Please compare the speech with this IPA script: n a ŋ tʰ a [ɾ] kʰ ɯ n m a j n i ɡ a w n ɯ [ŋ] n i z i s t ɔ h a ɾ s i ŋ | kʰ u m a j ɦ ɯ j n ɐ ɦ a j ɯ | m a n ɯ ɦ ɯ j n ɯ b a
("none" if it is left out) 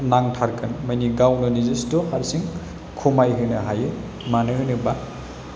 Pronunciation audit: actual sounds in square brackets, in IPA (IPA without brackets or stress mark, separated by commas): ɾ, none